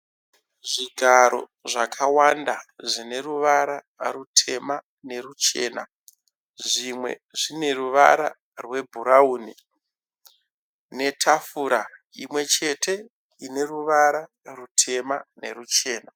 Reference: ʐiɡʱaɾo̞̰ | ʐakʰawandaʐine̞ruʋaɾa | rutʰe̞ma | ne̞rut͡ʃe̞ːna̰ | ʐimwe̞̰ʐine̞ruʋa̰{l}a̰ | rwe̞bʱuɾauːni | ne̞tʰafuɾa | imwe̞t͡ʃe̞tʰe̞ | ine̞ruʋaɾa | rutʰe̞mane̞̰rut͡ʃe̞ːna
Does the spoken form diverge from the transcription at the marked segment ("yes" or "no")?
yes